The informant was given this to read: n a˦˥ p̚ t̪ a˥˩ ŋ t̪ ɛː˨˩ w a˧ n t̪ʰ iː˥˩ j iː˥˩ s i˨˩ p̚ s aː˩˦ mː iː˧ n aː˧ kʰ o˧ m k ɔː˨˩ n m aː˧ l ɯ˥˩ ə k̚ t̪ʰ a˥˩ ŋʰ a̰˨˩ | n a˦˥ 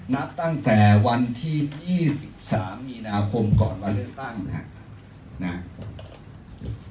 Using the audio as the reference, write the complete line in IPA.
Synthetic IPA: n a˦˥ p̚ t̪ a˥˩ ŋ t̪ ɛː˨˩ w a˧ n t̪ʰ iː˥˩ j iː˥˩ s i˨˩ p̚ s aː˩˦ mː iː˧ n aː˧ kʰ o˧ m k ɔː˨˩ n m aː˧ l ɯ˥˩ ə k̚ t̪ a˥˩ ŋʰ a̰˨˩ | n a˦˥